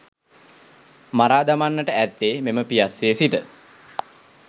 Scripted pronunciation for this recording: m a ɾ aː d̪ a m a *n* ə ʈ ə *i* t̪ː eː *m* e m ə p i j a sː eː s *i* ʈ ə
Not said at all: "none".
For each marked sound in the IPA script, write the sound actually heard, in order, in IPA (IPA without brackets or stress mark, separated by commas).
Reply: nː, æ, m, i